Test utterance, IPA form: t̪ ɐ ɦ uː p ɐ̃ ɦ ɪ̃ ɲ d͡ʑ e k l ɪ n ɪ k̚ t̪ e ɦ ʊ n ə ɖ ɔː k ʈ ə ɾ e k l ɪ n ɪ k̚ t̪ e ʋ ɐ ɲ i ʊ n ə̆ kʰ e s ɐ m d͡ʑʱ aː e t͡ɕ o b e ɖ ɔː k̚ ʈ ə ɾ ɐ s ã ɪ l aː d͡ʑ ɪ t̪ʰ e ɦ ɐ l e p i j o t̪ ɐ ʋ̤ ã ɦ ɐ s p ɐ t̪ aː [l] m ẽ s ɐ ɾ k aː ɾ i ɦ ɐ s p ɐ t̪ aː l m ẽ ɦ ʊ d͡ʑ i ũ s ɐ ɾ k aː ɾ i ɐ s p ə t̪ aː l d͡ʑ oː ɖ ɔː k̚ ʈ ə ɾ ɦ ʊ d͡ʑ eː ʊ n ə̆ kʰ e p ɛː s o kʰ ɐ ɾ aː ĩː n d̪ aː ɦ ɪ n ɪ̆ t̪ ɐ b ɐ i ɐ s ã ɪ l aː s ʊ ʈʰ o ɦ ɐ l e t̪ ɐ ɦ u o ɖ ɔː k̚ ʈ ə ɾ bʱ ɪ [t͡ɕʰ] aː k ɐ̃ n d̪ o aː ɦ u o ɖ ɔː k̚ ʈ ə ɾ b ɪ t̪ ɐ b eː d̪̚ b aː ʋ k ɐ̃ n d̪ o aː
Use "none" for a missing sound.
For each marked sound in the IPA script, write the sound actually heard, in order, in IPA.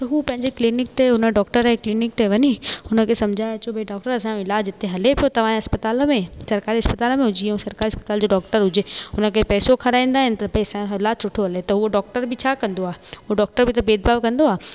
l, t͡ɕʰ

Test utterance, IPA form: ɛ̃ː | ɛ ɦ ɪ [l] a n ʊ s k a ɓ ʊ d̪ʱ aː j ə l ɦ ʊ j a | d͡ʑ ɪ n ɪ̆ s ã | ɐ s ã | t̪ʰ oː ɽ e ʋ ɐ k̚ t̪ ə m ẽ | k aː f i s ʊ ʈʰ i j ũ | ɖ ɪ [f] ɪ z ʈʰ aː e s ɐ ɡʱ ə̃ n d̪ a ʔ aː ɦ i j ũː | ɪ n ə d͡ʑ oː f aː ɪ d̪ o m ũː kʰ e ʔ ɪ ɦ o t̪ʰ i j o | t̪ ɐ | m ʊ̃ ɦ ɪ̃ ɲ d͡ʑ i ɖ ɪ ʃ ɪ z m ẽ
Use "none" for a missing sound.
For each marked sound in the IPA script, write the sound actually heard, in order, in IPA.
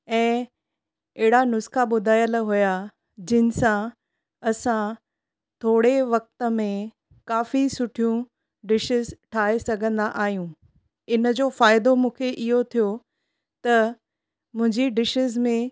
ɽ, ʃ

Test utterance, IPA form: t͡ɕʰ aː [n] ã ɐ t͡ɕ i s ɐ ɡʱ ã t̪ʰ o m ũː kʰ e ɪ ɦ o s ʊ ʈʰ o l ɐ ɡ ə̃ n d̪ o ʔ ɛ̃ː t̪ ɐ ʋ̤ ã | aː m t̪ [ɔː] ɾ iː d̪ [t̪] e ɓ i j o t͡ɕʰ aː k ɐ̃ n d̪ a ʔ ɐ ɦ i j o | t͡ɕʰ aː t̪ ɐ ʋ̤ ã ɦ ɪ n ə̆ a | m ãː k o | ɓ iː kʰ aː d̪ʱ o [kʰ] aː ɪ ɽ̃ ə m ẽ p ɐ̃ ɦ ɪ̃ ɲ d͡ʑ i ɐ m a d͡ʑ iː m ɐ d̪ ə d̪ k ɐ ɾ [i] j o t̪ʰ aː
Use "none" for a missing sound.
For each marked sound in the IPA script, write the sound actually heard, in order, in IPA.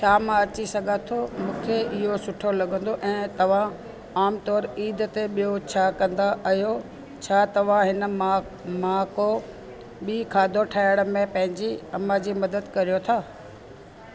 m, ɔː, t̪, ʈʰ, i

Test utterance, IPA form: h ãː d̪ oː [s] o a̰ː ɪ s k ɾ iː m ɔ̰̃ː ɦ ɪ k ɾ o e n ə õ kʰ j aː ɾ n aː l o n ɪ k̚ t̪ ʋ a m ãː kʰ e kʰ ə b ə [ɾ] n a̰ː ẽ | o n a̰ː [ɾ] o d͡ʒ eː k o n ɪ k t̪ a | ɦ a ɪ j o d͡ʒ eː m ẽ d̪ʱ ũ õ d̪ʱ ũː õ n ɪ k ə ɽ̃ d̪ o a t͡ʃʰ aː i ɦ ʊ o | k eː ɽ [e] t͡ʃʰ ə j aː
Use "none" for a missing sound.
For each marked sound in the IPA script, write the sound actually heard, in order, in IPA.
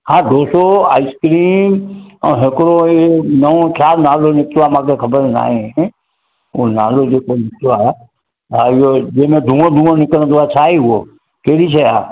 s, ɾ, l, i

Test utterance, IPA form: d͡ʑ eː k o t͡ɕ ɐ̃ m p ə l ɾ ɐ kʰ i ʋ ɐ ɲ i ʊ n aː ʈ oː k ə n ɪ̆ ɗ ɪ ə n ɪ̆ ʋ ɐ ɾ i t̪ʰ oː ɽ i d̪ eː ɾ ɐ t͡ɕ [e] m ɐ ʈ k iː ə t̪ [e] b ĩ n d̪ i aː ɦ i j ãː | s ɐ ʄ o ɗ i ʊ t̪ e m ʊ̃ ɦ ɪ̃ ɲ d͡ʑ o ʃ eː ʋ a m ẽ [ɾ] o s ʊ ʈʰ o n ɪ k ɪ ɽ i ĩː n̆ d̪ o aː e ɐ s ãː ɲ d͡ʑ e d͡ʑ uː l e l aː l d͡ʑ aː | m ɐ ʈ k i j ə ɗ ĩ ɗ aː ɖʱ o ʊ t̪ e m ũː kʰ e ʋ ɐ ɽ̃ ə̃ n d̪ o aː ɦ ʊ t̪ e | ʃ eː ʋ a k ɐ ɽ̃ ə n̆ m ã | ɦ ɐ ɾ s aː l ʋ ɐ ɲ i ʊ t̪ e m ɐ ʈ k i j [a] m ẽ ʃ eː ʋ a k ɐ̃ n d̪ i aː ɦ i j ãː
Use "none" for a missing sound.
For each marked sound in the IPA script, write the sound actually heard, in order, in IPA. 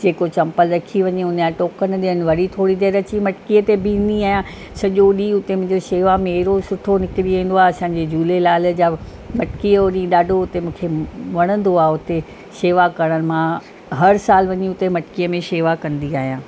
i, e, ɾ, ə

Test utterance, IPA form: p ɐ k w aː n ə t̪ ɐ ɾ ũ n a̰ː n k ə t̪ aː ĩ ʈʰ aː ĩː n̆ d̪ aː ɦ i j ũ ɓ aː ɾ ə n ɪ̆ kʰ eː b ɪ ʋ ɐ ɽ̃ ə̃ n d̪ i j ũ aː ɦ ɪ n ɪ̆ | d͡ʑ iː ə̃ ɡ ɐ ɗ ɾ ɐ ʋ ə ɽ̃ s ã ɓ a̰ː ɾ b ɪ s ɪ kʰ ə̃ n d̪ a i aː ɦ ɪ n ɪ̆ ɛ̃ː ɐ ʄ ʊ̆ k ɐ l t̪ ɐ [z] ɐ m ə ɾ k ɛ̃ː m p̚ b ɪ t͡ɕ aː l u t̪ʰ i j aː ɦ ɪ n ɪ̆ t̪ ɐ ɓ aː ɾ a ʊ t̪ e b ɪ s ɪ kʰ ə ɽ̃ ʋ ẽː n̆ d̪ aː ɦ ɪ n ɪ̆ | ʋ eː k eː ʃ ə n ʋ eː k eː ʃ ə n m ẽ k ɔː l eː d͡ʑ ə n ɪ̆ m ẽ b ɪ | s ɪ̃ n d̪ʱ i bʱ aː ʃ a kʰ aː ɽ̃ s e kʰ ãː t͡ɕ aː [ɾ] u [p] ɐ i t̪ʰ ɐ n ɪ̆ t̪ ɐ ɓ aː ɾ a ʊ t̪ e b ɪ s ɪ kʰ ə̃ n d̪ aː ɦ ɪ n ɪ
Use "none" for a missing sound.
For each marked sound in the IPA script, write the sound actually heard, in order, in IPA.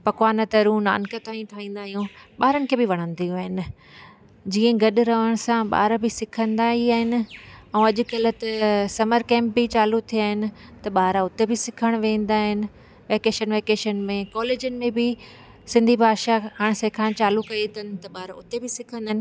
s, l, k

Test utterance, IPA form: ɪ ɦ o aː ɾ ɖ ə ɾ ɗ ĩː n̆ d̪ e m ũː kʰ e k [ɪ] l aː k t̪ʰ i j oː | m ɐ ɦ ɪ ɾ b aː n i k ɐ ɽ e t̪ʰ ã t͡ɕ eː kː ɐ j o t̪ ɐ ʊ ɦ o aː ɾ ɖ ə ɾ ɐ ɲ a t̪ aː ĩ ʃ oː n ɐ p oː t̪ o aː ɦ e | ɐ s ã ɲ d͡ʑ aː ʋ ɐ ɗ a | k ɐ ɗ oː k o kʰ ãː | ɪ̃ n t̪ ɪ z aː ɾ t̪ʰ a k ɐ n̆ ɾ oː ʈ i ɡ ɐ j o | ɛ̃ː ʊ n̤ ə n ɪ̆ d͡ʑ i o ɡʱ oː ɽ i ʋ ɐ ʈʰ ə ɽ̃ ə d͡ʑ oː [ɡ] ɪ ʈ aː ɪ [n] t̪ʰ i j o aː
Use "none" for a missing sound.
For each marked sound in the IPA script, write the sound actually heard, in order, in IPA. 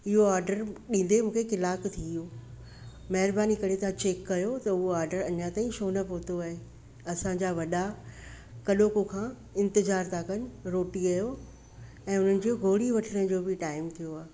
ɪ, b, m

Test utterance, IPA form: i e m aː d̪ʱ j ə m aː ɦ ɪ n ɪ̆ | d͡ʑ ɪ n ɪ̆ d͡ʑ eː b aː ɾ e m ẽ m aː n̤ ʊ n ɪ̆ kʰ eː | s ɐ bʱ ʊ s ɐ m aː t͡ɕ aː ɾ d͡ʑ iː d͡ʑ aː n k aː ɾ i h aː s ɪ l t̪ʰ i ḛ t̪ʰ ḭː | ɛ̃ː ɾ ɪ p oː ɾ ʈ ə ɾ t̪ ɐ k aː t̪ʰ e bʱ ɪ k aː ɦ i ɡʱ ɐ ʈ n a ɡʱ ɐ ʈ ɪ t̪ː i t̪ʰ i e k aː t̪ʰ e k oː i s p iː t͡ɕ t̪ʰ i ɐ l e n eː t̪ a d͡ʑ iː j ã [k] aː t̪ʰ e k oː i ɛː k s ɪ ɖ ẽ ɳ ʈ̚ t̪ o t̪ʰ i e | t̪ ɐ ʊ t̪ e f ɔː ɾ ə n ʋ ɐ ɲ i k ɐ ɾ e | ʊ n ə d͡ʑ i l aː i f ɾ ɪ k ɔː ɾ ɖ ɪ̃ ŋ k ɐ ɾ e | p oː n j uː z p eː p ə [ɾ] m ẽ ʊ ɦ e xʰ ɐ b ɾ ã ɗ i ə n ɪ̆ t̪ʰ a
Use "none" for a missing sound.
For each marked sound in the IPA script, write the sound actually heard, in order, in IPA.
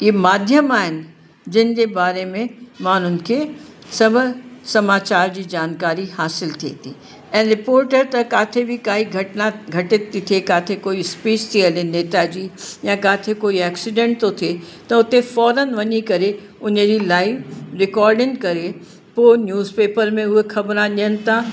k, ɾ

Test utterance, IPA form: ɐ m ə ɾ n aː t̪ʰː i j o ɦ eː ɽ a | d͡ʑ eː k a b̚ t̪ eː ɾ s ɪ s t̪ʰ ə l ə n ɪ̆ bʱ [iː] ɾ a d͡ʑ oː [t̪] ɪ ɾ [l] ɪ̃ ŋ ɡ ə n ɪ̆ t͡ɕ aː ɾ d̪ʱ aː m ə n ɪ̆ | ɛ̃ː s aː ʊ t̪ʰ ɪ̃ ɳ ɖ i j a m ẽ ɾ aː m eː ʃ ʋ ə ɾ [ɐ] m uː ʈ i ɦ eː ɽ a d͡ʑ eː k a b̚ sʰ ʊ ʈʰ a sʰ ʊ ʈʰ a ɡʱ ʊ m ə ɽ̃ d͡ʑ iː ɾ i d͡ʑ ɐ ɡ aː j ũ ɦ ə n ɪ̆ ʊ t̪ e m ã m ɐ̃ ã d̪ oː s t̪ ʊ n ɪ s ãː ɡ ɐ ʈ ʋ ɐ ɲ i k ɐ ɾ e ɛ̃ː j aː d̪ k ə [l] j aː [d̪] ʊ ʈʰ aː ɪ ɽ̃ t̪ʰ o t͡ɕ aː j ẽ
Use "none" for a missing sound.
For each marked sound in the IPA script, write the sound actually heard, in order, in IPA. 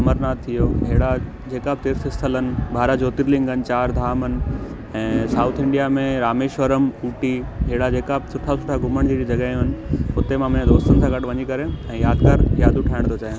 aː, t̪, l, ə, ɾ, d̪

